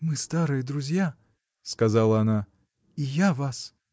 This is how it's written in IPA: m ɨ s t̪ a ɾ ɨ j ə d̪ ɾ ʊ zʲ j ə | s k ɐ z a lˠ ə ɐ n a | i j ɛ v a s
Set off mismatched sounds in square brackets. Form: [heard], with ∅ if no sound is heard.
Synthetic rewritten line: m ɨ s t̪ a ɾ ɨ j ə d̪ ɾ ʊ zʲ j [a] | s k ɐ z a lˠ ə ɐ n a | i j [a] v a s